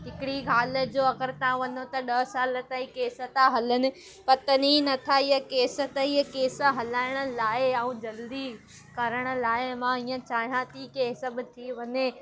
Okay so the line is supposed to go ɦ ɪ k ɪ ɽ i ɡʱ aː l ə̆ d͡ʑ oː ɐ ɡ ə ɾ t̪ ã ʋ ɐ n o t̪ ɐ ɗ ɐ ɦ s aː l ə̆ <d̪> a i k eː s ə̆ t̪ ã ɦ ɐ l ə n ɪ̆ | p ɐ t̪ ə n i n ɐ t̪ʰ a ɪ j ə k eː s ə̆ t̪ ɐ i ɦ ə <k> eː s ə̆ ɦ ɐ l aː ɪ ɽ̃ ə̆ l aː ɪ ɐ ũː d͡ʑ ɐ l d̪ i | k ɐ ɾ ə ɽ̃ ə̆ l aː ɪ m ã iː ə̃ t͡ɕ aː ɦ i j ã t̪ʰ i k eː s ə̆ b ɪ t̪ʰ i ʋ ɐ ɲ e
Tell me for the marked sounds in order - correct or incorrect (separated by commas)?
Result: incorrect, correct